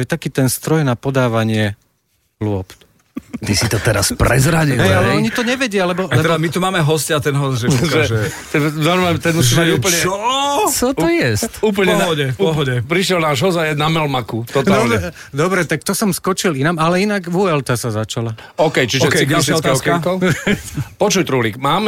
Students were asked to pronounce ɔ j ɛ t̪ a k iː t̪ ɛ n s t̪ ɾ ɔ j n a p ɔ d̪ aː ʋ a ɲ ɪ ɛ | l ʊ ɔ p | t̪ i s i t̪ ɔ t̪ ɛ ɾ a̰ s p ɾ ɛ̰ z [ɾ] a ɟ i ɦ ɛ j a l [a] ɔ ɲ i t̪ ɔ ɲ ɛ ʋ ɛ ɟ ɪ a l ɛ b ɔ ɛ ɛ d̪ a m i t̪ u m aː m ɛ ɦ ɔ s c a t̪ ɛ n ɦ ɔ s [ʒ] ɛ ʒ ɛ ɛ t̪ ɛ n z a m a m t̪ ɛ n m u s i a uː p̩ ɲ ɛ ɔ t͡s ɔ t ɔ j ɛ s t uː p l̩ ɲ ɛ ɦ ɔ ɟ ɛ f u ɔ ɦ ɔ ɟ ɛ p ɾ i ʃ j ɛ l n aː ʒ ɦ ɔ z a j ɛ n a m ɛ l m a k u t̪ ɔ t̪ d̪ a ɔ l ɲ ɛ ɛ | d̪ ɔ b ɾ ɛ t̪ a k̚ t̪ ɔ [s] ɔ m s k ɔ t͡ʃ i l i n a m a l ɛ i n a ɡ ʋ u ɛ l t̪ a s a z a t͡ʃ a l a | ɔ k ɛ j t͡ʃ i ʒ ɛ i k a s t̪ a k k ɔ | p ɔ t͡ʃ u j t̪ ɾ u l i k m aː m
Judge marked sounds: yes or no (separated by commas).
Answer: yes, no, yes, yes